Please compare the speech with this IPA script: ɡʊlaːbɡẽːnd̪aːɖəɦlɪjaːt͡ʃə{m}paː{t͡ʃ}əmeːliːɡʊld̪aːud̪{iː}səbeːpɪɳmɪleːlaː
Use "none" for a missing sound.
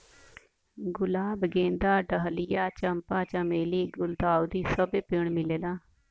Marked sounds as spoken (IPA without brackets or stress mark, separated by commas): m, t͡ʃ, iː